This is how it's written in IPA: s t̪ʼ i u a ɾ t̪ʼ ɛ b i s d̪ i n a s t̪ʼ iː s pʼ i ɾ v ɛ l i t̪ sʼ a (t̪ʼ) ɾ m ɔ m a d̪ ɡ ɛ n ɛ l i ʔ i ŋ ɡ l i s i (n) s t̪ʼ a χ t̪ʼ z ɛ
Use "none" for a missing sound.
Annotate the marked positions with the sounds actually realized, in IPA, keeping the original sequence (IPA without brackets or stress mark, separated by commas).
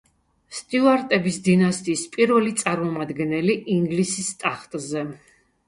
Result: none, none